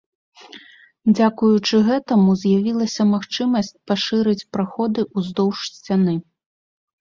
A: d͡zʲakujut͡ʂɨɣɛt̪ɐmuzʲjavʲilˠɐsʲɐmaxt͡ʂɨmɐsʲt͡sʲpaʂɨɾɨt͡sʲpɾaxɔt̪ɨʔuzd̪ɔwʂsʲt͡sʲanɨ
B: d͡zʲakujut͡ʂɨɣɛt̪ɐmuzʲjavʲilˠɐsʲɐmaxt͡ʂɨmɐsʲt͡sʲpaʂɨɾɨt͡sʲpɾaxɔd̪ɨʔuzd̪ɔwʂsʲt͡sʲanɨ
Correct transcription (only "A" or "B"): B